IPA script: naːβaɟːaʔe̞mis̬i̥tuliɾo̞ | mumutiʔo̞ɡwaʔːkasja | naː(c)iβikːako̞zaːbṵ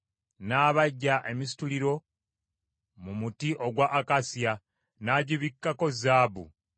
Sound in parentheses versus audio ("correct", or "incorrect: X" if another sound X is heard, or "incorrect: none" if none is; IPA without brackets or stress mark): incorrect: ɟ